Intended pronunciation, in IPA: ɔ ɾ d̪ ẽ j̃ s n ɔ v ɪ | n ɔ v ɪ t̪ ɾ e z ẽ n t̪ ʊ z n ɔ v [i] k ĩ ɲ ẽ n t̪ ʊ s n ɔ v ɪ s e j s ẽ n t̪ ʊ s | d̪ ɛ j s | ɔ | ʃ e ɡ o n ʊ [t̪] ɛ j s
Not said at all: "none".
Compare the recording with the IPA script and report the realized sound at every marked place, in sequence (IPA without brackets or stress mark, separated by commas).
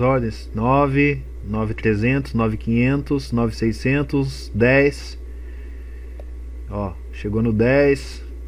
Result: ɪ, d̪